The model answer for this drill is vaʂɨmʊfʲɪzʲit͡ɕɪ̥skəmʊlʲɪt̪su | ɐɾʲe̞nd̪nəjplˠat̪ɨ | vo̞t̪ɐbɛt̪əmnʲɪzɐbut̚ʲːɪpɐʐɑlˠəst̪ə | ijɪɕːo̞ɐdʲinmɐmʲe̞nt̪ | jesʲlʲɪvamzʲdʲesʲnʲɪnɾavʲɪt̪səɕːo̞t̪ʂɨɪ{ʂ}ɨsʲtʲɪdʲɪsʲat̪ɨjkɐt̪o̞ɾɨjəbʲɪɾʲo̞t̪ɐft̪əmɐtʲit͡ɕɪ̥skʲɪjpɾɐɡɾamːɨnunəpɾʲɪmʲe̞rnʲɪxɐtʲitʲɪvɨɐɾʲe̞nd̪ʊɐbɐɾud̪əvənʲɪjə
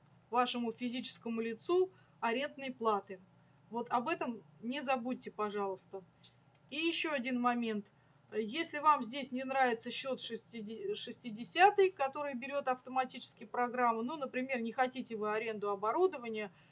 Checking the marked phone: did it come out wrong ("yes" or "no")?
no